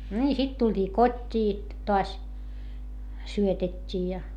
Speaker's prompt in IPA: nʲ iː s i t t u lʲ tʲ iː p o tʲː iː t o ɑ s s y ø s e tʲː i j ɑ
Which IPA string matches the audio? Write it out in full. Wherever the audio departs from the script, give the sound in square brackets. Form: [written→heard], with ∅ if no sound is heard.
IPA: nʲ iː s i t t u lʲ tʲ iː [p→k] o tʲː iː t o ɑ s s y ø [s→t] e tʲː [i→iː] j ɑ